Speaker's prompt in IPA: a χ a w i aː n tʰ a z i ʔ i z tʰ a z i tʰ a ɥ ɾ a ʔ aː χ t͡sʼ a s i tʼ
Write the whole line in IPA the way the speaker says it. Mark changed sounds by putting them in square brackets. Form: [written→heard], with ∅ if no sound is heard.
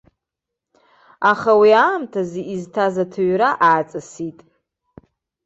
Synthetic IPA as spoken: a χ a w i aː [n→m] tʰ a z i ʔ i z tʰ a z [i→a] tʰ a ɥ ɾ a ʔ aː [χ→∅] t͡sʼ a s i tʼ